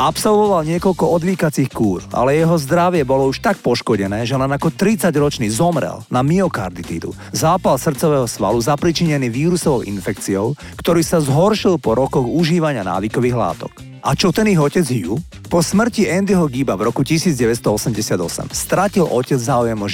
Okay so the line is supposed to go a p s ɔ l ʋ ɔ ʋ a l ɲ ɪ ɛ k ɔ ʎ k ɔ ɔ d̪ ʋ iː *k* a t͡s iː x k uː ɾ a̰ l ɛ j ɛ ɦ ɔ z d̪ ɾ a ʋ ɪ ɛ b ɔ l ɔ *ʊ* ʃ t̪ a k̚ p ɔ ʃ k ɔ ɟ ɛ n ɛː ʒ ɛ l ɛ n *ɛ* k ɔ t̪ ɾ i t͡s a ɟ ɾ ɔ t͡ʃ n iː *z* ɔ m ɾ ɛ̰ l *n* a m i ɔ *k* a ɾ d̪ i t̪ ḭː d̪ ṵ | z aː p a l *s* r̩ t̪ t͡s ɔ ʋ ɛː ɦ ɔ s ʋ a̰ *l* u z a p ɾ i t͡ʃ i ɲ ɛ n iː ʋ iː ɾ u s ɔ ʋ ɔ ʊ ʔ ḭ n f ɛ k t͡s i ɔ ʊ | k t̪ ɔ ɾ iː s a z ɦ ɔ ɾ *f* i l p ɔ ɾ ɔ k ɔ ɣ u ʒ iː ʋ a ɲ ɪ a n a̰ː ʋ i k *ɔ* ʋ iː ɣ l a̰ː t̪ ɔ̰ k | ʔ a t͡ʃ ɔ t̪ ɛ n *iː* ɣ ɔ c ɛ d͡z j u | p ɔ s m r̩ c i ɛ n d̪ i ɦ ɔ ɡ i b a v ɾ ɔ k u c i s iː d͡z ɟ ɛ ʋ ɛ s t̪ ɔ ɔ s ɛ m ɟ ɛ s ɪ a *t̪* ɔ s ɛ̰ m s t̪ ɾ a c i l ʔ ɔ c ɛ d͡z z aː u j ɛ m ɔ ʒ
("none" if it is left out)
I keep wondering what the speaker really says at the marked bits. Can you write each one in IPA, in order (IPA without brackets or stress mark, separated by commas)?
k, u, a, z, n, k, s, l, ʃ, ɔ, i, d̪